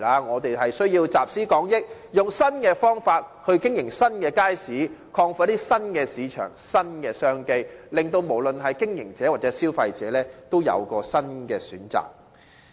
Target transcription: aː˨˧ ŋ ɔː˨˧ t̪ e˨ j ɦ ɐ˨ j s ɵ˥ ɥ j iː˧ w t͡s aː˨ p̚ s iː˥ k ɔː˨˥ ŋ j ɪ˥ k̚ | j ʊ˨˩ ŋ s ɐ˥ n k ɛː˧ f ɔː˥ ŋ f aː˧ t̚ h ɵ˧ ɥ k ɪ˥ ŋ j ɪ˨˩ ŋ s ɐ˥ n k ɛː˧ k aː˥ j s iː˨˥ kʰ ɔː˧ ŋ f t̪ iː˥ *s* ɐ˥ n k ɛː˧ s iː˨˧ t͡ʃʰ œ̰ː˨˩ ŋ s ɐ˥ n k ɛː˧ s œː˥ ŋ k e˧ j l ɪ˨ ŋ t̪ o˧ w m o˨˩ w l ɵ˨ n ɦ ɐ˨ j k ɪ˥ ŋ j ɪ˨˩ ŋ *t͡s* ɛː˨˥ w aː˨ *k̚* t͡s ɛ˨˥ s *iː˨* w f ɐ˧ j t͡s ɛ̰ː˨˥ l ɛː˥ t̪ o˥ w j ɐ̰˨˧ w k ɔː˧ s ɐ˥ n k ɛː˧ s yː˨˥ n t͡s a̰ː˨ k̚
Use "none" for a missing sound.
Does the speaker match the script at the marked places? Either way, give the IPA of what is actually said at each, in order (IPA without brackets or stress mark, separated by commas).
s, t͡s, t̚, iː˥